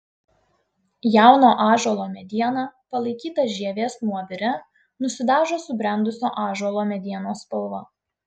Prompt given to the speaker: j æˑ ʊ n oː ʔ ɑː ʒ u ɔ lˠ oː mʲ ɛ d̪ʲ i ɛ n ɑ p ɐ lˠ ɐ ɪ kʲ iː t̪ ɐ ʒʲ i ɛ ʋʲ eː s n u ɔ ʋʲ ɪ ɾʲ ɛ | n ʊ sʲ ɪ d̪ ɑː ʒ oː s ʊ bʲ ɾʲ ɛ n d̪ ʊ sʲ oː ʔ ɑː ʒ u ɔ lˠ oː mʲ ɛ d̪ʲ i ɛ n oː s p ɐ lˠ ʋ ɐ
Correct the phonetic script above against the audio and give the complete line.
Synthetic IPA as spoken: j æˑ ʊ n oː ʔ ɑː ʒ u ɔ lˠ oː mʲ ɛ d̪ʲ i ɛ n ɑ p ɐ lˠ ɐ ɪ kʲ iː t̪ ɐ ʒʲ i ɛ ʋʲ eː s n u ɔ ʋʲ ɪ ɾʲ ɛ | n ʊ sʲ ɪ d̪ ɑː ʒ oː s ʊ bʲ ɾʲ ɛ n d̪ ʊ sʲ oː ʔ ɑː ʒ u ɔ lˠ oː mʲ ɛ d̪ʲ i ɛ n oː s p ɐ lˠ ʋ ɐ